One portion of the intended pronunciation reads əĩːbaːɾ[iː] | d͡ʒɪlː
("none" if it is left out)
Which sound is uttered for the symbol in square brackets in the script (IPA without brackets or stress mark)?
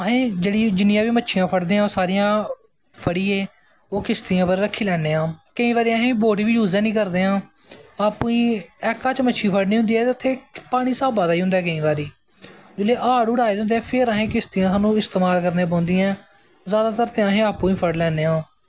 iː